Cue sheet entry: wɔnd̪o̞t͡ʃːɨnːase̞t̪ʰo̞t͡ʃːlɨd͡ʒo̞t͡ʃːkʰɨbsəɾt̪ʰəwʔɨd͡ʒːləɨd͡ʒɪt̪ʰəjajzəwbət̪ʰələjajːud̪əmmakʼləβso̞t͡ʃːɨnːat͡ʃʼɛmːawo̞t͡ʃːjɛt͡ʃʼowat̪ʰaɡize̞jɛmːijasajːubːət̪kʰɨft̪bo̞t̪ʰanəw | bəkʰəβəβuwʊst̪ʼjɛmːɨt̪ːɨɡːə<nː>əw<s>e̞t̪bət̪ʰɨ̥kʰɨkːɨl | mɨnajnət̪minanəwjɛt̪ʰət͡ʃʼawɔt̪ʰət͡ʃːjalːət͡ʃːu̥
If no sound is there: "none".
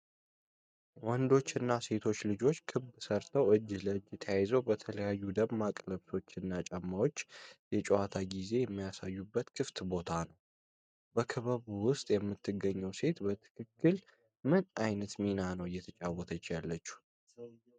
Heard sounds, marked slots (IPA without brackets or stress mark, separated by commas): ɲː, s